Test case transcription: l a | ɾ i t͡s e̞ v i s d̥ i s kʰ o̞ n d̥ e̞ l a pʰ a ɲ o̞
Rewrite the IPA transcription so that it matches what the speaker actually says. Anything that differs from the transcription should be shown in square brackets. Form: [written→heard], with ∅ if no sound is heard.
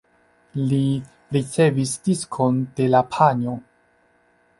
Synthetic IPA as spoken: l [a→i] | ɾ i t͡s e̞ v i s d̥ i s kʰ o̞ n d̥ e̞ l a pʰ a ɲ o̞